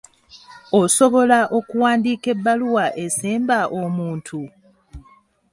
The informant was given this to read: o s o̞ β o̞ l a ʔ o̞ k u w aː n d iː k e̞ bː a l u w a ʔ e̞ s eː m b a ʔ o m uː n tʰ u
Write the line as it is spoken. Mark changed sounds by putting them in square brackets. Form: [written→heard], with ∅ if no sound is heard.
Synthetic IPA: o s o̞ β o̞ l a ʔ o̞ k u w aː n d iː k e̞ bː a l u w a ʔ e̞ s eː m b a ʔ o m uː n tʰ u